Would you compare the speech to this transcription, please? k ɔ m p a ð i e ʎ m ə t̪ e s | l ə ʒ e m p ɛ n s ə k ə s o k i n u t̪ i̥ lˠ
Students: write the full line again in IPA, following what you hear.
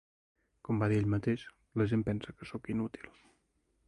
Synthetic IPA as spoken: k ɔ m b a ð i e ʎ m ə t̪ e ʃ | l ə ʒ e m p ɛ n s ə k ə s o k i n u t̪ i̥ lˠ